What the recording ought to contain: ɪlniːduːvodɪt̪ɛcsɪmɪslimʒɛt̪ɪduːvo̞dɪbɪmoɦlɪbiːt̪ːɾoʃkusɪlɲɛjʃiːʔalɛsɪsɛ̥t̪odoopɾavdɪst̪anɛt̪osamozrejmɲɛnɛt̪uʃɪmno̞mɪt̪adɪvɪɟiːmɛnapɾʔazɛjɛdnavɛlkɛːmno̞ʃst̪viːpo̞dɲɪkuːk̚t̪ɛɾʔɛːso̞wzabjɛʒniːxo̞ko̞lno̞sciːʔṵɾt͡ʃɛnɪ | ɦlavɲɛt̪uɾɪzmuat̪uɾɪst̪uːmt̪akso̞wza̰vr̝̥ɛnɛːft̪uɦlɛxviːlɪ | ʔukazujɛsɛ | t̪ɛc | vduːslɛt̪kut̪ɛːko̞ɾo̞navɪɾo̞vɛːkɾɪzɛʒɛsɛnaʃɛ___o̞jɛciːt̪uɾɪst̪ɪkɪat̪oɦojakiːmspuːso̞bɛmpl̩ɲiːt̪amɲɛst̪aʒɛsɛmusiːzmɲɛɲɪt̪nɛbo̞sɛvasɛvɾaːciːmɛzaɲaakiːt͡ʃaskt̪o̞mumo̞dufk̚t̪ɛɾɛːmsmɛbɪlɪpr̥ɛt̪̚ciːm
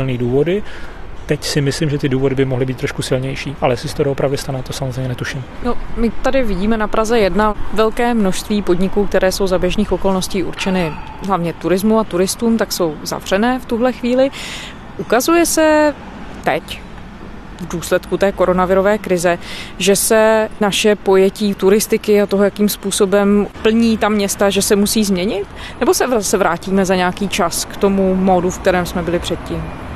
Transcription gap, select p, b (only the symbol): p